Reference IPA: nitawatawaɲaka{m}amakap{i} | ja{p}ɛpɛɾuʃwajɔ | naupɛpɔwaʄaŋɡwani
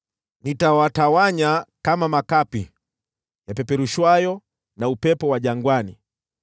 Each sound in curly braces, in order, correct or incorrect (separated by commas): correct, correct, correct